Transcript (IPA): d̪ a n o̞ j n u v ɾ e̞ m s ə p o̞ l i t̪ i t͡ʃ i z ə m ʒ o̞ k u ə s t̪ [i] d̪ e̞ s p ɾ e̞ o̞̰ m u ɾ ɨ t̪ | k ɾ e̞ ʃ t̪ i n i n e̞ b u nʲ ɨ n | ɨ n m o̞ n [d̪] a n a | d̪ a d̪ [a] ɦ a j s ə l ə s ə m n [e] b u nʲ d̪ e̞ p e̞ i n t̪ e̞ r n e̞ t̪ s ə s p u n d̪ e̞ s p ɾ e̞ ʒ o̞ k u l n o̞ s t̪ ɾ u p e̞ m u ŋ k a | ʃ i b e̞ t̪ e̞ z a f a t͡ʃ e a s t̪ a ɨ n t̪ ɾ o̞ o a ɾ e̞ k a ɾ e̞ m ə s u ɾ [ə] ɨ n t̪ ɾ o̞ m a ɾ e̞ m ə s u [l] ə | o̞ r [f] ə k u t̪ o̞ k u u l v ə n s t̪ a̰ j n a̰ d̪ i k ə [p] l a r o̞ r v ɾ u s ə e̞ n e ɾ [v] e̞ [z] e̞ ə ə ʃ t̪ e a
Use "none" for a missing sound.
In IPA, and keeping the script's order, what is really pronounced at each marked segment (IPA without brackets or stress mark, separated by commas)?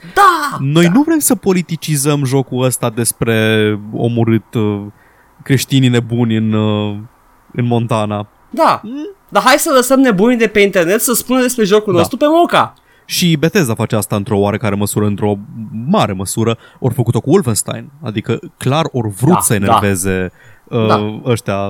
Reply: a, t̪, a, e, ə, ɾ, f, k, v, z